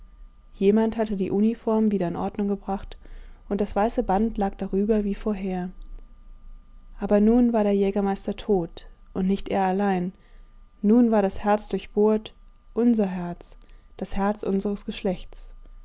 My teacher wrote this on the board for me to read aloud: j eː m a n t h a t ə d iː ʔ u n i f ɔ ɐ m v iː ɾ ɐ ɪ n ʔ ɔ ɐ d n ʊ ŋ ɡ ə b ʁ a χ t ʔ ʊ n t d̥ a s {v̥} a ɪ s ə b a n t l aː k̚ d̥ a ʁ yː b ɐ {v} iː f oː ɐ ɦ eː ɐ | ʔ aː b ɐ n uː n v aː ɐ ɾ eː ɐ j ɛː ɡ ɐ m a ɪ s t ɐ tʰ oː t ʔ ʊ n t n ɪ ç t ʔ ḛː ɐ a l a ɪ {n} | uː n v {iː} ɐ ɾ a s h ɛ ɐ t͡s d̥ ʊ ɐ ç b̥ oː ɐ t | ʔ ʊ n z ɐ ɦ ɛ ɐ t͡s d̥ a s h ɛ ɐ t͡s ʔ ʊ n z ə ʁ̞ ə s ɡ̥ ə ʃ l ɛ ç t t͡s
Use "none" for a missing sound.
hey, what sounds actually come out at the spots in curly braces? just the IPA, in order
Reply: v̥, v, nː, aː

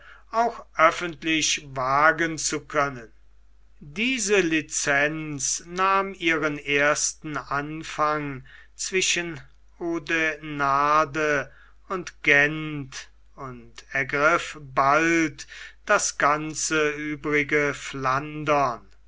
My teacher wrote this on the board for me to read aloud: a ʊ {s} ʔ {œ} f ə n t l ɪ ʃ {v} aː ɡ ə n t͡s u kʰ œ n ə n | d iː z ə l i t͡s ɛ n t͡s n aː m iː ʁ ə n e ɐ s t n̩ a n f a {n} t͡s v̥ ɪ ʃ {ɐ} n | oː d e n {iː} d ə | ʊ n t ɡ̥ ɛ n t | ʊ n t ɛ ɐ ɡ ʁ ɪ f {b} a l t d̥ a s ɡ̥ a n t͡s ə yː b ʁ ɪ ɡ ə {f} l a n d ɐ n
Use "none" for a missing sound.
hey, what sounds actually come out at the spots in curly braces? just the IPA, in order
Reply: x, œ, v, ŋ, ə, aː, b, f

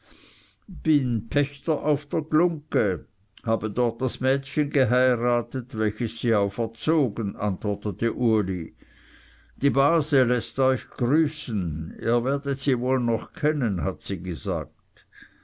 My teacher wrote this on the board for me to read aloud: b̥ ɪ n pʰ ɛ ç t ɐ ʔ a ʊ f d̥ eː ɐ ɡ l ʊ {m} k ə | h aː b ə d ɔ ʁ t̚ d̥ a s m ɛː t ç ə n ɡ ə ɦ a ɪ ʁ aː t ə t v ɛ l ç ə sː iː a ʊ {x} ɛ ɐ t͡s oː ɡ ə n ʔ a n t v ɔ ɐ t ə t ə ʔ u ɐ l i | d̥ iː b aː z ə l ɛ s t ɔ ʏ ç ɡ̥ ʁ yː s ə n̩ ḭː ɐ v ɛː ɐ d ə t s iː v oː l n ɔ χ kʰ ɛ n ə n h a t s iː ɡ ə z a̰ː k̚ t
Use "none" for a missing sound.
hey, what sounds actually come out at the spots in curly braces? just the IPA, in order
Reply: ŋ, f

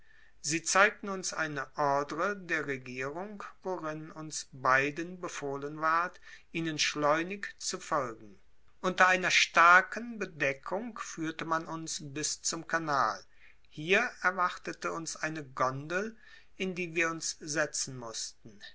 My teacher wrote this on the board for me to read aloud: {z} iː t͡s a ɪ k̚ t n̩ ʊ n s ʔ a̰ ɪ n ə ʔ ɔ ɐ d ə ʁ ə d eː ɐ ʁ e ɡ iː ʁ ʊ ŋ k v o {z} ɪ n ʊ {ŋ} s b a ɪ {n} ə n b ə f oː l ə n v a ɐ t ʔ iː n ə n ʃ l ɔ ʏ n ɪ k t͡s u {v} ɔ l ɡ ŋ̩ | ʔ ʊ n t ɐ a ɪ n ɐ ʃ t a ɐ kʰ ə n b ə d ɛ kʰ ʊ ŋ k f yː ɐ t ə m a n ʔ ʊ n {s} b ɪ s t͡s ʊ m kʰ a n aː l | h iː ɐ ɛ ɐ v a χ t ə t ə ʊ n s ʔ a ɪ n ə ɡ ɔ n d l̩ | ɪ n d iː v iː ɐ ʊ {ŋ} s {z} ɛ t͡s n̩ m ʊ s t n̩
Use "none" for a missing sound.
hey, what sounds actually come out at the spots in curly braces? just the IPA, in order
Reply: z, ʁ, n, d, f, s, n, z

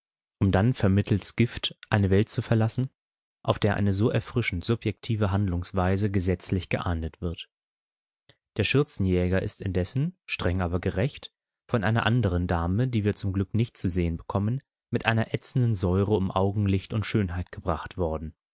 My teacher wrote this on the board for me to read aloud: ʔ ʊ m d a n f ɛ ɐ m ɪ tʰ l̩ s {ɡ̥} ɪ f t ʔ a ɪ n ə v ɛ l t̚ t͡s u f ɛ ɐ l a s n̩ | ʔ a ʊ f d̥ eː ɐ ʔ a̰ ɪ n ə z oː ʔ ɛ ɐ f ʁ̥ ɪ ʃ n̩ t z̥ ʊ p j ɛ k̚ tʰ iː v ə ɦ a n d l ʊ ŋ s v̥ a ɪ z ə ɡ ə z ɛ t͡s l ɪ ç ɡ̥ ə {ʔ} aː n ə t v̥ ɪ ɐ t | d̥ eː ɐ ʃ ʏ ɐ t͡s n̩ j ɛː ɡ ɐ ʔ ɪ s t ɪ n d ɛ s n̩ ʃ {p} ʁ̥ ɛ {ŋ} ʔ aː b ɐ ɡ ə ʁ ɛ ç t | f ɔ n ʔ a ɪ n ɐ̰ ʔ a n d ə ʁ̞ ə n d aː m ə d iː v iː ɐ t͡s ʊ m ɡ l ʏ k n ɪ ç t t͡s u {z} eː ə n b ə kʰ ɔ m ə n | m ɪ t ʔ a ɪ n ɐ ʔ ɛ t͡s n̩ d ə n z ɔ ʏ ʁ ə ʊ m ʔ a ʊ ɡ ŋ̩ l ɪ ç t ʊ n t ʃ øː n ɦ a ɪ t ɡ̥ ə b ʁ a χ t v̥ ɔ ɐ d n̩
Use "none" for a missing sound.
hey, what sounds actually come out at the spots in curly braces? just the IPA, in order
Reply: ɡ̥, ʔ, t, ŋ, z

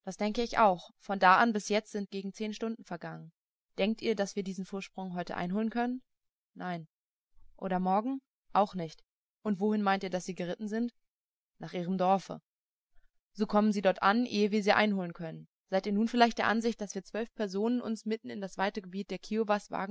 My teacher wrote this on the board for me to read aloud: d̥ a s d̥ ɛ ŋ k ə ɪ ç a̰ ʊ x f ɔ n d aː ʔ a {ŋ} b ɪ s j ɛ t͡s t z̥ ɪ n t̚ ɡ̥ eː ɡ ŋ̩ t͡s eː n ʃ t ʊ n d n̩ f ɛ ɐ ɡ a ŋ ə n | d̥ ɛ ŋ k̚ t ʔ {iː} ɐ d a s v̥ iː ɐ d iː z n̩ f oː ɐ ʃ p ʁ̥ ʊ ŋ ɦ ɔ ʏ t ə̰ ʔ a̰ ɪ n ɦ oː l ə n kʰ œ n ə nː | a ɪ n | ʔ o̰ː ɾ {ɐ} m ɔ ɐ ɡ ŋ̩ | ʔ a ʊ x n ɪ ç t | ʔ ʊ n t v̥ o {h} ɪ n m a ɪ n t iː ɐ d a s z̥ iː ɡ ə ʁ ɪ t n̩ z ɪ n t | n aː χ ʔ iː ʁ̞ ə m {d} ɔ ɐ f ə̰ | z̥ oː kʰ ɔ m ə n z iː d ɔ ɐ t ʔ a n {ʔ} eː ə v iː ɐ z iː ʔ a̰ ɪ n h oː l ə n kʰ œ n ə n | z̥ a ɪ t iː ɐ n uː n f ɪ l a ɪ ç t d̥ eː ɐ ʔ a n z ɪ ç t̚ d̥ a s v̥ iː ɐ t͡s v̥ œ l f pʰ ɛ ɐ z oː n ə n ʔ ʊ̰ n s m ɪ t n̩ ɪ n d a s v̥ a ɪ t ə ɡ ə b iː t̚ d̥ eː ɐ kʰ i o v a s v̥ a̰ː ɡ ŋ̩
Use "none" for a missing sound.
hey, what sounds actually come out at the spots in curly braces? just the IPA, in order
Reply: n, iː, ɐ, h, d, ʔ

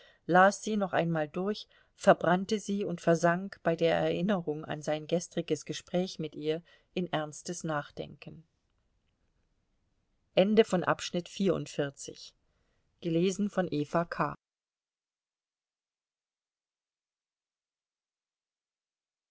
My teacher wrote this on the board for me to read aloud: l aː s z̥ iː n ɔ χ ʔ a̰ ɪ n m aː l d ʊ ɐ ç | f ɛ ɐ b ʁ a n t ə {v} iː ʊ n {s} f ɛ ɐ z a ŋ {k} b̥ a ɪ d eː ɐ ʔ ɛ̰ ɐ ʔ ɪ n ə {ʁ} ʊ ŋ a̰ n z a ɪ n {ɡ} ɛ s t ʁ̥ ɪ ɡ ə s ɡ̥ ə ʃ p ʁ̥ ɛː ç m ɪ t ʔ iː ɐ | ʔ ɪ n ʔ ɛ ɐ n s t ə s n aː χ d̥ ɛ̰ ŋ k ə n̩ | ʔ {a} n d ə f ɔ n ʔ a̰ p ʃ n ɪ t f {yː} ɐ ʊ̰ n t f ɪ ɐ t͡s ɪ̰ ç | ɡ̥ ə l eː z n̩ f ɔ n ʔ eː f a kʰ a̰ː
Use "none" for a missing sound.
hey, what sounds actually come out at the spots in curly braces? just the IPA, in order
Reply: z, t, k, ʁ, ɡ, ɛ, iː

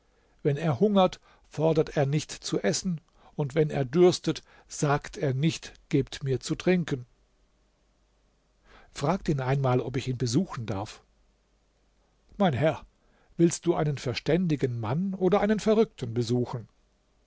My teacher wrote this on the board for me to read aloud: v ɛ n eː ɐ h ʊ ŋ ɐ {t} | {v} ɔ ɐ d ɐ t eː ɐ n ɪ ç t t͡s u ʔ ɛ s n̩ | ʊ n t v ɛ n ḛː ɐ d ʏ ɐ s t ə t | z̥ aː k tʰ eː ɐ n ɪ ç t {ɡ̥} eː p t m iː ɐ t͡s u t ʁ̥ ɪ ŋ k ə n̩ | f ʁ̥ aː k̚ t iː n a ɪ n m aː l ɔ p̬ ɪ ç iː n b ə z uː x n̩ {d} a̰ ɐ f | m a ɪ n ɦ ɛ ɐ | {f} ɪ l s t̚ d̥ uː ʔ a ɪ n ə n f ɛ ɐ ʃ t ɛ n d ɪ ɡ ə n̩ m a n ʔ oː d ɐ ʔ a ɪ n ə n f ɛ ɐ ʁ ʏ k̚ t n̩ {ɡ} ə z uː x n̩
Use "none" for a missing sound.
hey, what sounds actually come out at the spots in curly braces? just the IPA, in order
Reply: t, f, ɡ̥, d, v, b

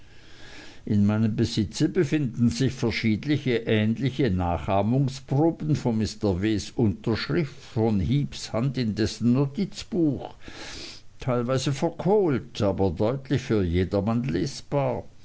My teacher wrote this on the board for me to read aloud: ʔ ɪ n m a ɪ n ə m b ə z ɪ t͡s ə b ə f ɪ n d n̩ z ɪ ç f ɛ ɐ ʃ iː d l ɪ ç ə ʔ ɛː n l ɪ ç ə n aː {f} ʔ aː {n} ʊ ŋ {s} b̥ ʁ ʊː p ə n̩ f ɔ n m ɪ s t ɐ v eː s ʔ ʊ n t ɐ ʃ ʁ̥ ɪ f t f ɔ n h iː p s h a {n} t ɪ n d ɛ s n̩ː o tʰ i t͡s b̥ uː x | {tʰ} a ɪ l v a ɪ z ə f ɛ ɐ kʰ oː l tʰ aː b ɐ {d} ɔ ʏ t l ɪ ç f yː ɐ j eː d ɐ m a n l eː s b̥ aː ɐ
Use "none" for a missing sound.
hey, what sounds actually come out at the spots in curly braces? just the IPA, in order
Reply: χ, m, s, n, tʰ, d

